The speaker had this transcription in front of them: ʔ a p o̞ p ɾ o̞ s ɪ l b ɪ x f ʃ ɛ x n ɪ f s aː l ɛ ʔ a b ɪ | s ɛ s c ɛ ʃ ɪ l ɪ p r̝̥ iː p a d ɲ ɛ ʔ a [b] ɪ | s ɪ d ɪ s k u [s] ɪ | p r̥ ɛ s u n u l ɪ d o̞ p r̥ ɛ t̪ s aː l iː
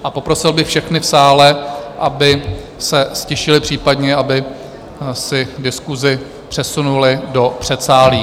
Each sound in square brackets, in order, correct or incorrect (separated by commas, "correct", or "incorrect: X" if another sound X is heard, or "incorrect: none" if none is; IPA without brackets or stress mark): correct, incorrect: z